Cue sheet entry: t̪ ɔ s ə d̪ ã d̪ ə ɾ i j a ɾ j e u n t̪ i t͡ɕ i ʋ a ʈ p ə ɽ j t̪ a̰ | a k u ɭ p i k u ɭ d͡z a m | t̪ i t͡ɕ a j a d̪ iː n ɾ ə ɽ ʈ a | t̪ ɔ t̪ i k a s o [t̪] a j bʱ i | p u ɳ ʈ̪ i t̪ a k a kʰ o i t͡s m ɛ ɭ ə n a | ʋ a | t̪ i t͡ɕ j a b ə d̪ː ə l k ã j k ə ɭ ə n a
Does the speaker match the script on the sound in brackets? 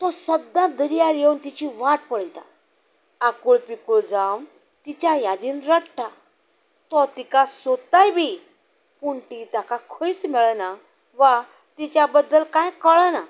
yes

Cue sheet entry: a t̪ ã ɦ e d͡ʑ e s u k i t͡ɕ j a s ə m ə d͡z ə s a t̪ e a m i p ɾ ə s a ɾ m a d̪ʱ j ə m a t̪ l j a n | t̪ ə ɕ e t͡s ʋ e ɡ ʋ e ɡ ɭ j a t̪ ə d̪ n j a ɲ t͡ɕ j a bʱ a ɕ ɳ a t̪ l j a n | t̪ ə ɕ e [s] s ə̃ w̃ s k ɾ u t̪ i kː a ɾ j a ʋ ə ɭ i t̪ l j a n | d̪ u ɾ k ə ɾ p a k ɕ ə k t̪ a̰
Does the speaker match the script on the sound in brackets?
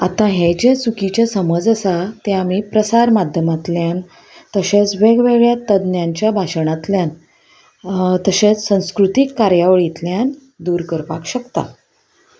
no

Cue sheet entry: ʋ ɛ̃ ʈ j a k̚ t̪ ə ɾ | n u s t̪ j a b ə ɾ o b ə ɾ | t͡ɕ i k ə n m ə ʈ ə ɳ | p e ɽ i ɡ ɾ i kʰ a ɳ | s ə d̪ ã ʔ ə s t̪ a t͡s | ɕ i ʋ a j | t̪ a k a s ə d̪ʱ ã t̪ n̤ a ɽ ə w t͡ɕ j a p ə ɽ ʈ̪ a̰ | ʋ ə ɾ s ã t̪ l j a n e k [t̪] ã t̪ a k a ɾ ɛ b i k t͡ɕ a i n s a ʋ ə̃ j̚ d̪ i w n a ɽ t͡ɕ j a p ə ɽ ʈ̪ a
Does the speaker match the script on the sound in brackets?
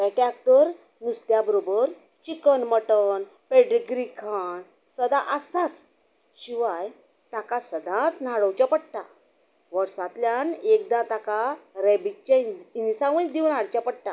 no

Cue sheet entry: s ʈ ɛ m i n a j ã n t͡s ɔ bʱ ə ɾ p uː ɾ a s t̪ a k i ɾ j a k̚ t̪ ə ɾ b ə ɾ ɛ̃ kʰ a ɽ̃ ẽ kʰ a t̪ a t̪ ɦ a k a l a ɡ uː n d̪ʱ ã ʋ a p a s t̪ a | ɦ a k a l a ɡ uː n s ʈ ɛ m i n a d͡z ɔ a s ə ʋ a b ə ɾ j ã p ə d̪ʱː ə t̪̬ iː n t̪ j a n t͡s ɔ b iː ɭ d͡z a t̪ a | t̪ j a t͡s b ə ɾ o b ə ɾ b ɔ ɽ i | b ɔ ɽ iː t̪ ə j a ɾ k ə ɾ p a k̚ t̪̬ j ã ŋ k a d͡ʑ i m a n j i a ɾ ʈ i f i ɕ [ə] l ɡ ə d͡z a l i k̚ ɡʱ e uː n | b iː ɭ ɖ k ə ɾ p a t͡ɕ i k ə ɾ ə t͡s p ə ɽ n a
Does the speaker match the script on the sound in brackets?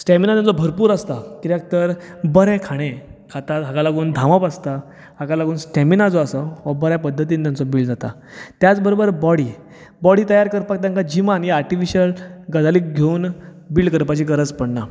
yes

